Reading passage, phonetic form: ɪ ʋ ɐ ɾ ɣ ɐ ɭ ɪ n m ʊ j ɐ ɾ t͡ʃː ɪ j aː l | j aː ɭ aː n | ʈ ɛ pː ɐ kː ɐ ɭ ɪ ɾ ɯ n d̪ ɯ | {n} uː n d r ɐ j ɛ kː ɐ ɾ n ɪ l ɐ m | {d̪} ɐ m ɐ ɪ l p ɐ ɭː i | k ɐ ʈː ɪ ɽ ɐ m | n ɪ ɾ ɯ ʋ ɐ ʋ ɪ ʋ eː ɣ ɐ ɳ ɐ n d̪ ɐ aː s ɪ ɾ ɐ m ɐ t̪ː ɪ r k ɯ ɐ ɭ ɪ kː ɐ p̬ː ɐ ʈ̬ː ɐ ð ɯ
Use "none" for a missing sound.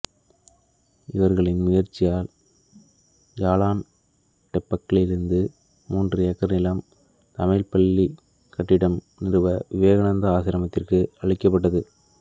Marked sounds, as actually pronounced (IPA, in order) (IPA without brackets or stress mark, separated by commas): m, t̪